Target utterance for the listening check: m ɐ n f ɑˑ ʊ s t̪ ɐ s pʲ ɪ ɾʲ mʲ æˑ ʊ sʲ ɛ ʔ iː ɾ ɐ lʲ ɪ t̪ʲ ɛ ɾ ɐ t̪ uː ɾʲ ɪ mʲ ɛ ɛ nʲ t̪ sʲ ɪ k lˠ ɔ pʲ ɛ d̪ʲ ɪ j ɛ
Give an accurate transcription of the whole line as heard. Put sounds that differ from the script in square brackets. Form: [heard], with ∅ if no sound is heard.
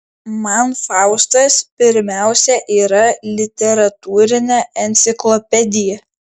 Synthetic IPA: m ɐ n f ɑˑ ʊ s t̪ ɐ s pʲ ɪ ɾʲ mʲ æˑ ʊ sʲ ɛ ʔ iː ɾ ɐ lʲ ɪ t̪ʲ ɛ ɾ ɐ t̪ uː ɾʲ ɪ [nʲ] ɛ ɛ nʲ t̪ sʲ ɪ k lˠ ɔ pʲ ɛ d̪ʲ ɪ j ɛ